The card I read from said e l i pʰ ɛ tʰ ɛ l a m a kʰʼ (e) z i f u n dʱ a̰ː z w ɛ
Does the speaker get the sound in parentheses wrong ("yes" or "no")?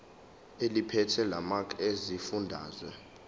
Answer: no